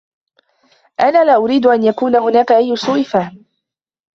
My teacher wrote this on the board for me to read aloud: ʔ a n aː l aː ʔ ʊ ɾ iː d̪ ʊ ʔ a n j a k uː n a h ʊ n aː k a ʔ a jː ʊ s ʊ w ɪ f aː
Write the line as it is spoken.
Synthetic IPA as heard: ʔ a n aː l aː ʔ ʊ ɾ iː d̪ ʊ ʔ a n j a k uː n a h ʊ n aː k a ʔ a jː ʊ s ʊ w ɪ f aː

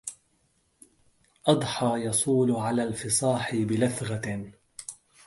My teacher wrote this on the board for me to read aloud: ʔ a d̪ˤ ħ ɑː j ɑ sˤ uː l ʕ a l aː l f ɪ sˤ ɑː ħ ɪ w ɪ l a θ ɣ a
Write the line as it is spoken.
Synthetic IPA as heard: ʔ ɑ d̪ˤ ħ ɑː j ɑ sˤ uː l ʕ a l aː l f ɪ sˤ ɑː ħ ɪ b ɪ l a θ ɣ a

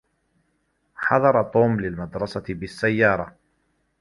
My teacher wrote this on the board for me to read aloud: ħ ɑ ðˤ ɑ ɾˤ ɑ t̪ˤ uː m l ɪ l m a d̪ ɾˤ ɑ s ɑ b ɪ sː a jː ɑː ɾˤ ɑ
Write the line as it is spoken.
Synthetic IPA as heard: ħ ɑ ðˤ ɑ ɾˤ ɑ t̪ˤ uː m l ɪ l m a d̪ ɾˤ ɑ s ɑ b ɪ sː a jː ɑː ɾˤ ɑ

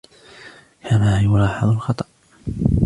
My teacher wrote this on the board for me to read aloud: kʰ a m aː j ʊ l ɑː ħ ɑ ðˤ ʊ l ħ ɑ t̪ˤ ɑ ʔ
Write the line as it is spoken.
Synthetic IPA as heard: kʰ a m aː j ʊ l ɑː ħ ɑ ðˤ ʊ l x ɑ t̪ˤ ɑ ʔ

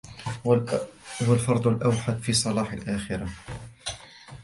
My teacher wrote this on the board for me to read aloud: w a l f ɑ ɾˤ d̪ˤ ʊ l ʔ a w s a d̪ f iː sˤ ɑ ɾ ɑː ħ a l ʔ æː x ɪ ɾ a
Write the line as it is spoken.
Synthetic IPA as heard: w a l f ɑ ɾˤ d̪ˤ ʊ l ʔ a w ħ a d̪ f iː sˤ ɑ l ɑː ħ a l ʔ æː x ɪ ɾ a

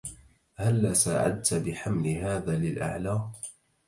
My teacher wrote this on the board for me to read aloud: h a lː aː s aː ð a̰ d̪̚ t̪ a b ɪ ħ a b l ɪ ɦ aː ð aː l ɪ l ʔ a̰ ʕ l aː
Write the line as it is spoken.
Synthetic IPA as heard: h a lː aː s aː ʕ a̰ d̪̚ t̪ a b ɪ ħ a m l ɪ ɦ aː ð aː l ɪ l ʔ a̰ ʕ l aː

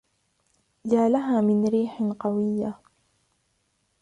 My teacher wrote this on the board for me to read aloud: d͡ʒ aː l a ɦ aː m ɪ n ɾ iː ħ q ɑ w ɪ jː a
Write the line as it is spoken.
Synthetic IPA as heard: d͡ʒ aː l a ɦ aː m ɪ n ɾ iː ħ q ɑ w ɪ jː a

